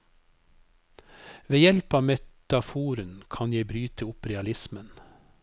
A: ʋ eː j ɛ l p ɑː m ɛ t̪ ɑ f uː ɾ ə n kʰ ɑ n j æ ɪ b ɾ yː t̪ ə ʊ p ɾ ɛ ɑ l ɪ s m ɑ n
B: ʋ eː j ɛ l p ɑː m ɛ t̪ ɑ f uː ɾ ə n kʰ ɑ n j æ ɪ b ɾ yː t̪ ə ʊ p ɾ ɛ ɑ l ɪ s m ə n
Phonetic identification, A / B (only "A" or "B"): B